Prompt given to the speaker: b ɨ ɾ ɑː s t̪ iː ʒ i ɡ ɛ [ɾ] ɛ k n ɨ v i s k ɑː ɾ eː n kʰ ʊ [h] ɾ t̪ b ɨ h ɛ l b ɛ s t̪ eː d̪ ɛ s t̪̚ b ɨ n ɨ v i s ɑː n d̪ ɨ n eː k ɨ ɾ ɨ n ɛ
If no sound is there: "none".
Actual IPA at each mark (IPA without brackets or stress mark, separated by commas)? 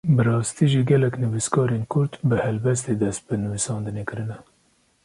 l, none